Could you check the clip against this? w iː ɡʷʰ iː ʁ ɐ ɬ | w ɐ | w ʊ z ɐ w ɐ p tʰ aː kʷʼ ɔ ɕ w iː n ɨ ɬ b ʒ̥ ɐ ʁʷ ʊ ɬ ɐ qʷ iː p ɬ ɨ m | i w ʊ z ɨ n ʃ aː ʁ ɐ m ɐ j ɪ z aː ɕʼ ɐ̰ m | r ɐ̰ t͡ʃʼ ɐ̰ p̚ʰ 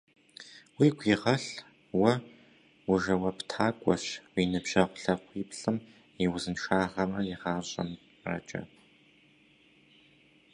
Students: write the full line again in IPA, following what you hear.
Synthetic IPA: w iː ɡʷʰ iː ʁ ɐ ɬ | w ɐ | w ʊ ʒ ɐ w ɐ p tʰ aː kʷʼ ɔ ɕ w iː n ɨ b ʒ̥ ɐ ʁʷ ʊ ɬ ɐ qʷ iː p ɬ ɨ m | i w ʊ z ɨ n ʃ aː ʁ ɐ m ɐ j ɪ ʁ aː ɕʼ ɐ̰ m | r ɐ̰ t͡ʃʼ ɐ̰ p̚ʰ